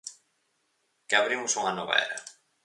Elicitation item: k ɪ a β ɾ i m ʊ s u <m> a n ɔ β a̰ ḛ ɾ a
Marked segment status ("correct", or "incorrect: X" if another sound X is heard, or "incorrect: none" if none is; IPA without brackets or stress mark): incorrect: ŋ